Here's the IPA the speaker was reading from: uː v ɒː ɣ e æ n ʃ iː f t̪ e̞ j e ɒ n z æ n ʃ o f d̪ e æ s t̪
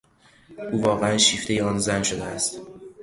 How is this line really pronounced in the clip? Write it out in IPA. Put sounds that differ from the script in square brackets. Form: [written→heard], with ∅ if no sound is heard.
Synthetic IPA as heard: uː v ɒː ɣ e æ n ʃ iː f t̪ e̞ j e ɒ n z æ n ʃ o [f→∅] d̪ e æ s t̪